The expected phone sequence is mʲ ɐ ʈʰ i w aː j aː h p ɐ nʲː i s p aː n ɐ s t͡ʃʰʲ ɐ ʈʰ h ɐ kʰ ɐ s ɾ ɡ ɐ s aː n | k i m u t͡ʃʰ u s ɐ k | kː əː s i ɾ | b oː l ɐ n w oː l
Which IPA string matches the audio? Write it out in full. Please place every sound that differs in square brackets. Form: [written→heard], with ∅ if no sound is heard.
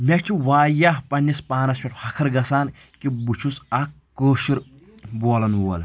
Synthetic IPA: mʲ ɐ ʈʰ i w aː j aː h p ɐ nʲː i s p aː n ɐ s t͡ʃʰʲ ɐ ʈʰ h ɐ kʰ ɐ [s→∅] ɾ ɡ ɐ s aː n | k i [m→b] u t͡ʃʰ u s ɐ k | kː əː [s→ʃ] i ɾ | b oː l ɐ n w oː l